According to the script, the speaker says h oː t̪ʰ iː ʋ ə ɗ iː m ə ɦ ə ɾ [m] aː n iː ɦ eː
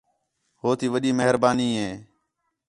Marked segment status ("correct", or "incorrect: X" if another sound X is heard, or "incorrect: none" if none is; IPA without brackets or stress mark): incorrect: b